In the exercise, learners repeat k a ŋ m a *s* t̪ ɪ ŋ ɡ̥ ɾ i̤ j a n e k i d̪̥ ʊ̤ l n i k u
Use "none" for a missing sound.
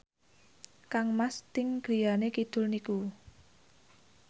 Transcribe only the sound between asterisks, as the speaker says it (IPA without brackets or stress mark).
s